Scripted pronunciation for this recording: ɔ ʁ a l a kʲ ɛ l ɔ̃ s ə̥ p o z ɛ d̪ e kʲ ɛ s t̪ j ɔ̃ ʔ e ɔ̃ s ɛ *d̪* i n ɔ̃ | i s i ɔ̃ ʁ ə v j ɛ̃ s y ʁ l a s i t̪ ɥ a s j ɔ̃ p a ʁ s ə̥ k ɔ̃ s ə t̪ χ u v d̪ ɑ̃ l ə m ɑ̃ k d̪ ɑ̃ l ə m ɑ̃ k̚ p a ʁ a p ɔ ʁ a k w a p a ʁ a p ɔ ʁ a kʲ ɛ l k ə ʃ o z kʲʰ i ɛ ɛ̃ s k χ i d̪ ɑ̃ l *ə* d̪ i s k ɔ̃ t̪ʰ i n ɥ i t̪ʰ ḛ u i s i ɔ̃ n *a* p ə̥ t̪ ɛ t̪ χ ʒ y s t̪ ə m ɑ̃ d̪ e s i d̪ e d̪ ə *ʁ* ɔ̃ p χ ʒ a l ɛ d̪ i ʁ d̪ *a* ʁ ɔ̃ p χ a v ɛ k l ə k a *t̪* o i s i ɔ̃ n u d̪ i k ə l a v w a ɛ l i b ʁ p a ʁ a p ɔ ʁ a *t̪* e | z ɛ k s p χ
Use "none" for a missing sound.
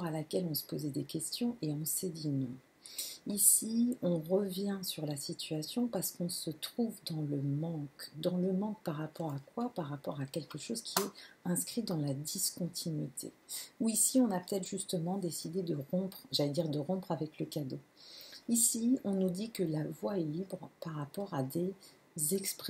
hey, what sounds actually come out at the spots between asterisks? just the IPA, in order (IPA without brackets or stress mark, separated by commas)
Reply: d̪, a, a, ʁ, ə, d̪, d̪